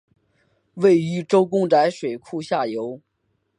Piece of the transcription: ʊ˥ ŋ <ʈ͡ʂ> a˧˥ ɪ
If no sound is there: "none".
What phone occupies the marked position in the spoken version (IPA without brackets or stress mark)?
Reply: ʈ͡ʂ